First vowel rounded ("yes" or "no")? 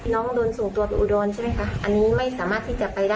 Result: yes